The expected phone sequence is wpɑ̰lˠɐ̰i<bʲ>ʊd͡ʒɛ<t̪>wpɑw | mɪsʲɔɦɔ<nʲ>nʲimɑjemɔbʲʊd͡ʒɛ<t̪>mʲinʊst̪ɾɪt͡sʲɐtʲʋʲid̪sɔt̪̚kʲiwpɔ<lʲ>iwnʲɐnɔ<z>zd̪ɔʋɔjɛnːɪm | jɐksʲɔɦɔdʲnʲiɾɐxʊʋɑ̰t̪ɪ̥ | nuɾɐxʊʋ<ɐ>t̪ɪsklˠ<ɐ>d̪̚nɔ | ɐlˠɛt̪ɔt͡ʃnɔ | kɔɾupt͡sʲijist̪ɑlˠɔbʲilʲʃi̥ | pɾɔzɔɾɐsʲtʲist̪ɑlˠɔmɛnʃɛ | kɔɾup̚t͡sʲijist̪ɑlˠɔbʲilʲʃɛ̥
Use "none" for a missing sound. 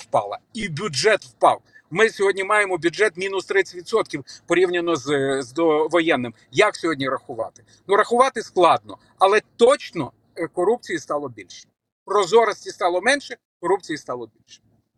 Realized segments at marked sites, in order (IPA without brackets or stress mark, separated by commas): bʲ, t̪, dʲ, t̪, ɾʲ, z, ɑ, ɑ